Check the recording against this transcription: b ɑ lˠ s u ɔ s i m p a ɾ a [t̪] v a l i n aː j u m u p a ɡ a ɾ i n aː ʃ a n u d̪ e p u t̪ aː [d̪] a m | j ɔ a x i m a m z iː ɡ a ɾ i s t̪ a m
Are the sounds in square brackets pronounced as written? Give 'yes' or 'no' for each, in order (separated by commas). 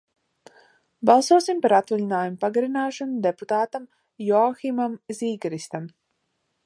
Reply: yes, no